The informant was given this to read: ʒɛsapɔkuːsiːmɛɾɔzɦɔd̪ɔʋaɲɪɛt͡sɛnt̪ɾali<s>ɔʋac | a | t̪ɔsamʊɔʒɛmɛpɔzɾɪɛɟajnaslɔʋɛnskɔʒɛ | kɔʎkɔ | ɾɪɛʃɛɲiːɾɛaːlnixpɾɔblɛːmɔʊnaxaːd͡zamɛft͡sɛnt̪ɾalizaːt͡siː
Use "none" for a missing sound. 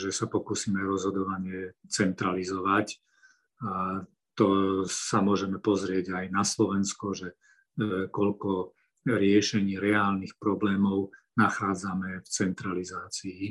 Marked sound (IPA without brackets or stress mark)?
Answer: z